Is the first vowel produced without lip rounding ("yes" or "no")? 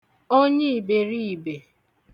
no